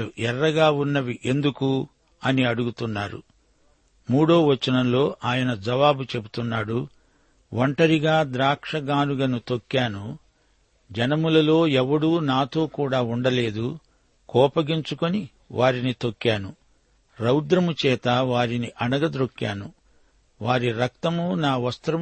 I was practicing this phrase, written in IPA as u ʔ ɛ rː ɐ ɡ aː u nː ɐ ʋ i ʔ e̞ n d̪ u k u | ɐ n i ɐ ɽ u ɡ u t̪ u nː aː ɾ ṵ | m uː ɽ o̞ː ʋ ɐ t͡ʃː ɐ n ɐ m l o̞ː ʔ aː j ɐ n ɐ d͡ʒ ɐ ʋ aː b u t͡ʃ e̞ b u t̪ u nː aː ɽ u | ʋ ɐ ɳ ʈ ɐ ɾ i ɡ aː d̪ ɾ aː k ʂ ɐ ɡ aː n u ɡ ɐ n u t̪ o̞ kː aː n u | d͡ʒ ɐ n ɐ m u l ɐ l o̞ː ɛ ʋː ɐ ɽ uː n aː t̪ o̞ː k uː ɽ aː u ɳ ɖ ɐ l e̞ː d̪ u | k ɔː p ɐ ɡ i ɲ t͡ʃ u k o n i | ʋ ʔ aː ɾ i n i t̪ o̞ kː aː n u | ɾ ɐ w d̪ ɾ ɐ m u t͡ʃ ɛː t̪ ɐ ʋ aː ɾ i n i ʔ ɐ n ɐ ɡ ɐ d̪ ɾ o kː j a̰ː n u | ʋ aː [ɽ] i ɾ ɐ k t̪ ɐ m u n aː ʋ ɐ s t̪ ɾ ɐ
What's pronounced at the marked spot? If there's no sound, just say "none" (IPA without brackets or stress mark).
ɾ